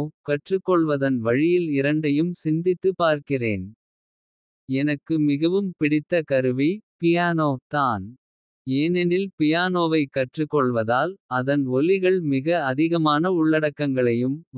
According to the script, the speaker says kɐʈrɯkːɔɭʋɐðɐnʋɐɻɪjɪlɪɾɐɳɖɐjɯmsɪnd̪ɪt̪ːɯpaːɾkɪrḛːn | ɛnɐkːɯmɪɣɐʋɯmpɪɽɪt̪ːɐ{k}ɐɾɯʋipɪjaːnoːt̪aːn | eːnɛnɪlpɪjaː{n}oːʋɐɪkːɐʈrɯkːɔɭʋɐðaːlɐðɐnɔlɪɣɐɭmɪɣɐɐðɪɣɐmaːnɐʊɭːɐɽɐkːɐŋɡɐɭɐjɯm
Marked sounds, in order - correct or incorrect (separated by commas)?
correct, correct